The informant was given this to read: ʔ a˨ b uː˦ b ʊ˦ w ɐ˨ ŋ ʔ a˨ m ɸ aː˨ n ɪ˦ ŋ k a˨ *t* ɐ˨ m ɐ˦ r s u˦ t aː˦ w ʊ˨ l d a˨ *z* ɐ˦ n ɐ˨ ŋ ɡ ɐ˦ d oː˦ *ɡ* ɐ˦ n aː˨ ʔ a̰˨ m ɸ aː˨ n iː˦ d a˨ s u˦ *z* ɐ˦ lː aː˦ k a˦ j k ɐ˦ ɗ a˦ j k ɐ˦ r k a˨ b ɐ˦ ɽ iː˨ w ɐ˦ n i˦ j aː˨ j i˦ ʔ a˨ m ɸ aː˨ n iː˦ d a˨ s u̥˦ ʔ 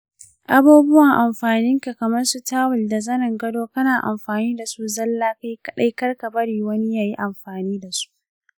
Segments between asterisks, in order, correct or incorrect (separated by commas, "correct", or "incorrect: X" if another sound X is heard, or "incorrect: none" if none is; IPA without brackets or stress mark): incorrect: k, correct, incorrect: k, correct